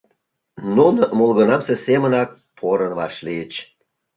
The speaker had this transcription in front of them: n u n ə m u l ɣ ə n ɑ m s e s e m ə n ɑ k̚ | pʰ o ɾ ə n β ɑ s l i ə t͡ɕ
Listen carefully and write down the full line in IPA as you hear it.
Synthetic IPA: n u n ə m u l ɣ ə n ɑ m s e s e m ə n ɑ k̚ | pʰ o ɾ ə n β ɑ ʃ l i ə t͡ɕ